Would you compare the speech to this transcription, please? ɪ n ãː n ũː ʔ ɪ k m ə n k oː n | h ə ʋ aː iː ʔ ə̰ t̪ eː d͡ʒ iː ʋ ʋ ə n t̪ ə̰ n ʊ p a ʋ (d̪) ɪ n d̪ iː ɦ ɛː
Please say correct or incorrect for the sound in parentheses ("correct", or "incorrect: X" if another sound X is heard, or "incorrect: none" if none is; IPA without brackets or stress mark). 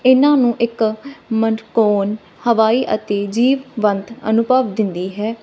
correct